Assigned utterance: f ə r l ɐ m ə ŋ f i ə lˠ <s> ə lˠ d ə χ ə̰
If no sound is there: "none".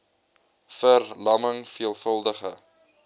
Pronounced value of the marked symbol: f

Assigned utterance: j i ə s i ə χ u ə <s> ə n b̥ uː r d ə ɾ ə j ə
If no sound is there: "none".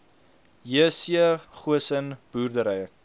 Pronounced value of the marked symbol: s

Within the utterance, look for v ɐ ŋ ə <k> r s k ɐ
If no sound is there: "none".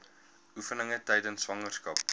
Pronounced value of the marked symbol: none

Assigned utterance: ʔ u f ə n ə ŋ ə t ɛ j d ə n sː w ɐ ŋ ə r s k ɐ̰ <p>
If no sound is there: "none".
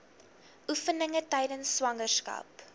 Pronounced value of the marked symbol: p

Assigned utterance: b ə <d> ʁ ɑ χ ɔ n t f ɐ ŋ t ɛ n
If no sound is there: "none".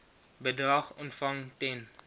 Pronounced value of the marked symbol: d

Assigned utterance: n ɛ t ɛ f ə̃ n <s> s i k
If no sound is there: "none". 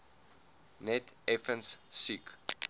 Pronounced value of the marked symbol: s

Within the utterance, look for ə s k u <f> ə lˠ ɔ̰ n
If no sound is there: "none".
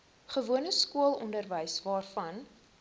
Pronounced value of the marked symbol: none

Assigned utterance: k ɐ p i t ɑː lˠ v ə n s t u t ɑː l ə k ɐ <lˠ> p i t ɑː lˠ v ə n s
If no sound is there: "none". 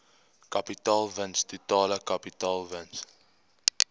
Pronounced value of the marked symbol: none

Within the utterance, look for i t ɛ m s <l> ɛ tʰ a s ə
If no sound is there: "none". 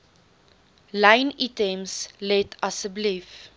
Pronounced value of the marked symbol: l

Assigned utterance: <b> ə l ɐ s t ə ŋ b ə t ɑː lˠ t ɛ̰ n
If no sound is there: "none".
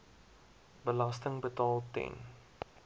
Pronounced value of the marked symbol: b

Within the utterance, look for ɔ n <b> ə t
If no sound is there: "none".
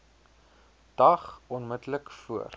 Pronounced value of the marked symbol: m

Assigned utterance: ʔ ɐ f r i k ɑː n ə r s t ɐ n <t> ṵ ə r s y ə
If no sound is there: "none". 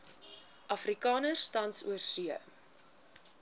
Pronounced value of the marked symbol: s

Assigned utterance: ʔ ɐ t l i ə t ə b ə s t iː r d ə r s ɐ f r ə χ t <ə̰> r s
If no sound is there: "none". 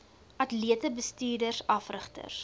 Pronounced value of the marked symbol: ə̰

